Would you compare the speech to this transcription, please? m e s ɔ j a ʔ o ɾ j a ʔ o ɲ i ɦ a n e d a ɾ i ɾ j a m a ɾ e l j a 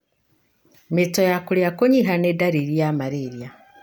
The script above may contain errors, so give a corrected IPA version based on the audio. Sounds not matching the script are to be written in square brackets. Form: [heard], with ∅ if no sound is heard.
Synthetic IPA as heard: m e [t] ɔ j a [k] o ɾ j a [k] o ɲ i ɦ a n e d a ɾ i ɾ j a m a ɾ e [ɾ] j a

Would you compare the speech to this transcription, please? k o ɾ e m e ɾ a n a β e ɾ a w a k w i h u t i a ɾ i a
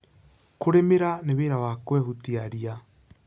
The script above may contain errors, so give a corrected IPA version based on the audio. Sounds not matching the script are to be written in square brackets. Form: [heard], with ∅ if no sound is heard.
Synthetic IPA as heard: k o ɾ e m e ɾ a n [e] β e ɾ a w a k w [ɛ] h u t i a ɾ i a

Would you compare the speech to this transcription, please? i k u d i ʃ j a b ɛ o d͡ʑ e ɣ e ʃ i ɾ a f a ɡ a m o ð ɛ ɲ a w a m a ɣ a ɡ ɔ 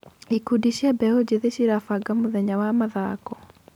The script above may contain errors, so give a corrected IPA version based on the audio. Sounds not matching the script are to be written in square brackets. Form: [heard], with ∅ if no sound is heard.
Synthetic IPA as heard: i k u d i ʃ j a b ɛ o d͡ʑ e [ð] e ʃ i ɾ a f a ɡ a m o ð ɛ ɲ a w a m a [ð] a [k] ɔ

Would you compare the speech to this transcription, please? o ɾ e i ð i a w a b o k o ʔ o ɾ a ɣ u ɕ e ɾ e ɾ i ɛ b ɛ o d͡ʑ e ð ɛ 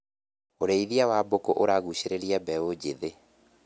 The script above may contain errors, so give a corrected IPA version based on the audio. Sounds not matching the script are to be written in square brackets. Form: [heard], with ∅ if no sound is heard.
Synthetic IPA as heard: o ɾ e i ð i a w a b o k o ʔ o ɾ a ɣ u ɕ e ɾ e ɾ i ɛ b ɛ o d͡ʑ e ð [e]

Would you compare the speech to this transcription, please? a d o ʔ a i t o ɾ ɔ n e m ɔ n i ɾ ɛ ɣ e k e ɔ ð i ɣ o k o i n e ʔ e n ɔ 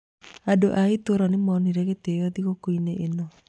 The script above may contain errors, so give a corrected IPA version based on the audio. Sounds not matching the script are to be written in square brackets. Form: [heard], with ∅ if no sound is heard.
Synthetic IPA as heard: a d o ʔ a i t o ɾ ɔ n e m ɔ n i ɾ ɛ ɣ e [t] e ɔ ð i ɣ o k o i n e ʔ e n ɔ

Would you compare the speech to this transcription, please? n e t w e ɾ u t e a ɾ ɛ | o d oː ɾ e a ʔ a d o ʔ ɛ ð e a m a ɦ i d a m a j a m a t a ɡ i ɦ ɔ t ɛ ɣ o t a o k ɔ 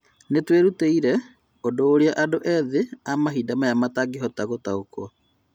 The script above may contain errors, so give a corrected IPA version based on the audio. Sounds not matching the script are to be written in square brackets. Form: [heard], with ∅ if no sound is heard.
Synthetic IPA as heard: n e t w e ɾ u t e [i] ɾ ɛ | o d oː ɾ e a ʔ a d o ʔ ɛ ð e a m a ɦ i d a m a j a m a t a ɡ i ɦ ɔ t [a] ɣ o t a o k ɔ

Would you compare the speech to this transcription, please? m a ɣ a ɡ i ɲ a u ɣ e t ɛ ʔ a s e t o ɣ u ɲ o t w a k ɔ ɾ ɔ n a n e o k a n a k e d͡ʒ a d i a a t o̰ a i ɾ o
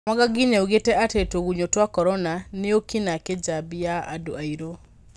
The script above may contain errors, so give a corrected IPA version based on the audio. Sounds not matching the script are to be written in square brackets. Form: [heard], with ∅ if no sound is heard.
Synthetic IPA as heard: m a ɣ a ɡ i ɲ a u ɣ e t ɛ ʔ a [t] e t o ɣ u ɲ o t w a k ɔ ɾ ɔ n a n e o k [i] n a k e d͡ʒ a [b] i a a [d] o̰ a i ɾ o

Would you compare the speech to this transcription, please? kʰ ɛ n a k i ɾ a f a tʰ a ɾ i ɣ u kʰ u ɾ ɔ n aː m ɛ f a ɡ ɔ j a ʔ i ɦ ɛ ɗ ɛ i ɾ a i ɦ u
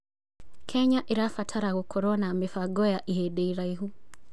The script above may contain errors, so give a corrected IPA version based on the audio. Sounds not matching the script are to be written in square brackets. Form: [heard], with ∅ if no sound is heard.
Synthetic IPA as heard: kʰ ɛ [ɲ] a [ʔ] i ɾ a f a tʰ a ɾ [a] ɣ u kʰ [ɔ] ɾ ɔ n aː m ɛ f a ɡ ɔ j a ʔ i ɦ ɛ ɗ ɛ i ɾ a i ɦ u

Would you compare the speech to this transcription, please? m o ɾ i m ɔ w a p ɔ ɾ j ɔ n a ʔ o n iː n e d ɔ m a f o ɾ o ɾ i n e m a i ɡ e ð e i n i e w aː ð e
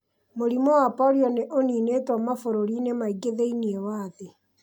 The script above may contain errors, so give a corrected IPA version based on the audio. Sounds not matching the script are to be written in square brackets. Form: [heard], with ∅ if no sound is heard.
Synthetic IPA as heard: m o ɾ i m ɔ w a p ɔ ɾ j ɔ n [e] ʔ o n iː n e [t] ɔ m a f o ɾ o ɾ i n e m a i ɡ e ð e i n i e w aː ð e

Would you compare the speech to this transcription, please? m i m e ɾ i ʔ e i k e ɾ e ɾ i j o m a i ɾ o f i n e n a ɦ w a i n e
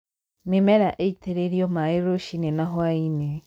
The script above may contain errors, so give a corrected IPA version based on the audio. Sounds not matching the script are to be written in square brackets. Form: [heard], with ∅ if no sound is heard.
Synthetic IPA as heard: m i m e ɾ [a] ʔ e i [t] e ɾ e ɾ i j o m a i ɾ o [ʃ] i n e n a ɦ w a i n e

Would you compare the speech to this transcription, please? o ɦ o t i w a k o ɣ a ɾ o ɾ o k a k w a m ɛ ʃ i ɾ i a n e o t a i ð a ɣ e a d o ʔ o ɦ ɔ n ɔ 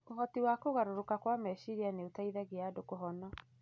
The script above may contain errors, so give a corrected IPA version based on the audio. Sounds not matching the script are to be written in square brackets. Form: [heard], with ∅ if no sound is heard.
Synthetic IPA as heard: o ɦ [ɔ] t i w a k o ɣ a ɾ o ɾ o k a k w a m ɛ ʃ i ɾ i a n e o t a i ð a ɣ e a d o [k] o ɦ ɔ n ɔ

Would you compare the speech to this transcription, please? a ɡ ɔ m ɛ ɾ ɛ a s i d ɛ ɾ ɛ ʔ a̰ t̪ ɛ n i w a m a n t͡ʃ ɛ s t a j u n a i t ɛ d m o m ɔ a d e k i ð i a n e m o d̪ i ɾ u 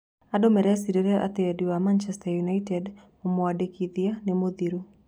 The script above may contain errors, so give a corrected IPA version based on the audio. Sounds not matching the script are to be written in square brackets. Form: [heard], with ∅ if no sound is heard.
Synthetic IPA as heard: a [d] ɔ m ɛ ɾ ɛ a s i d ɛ ɾ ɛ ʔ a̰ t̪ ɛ [d] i w a m a n t͡ʃ ɛ s t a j u n a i t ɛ d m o m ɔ a d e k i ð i a n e m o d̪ i ɾ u

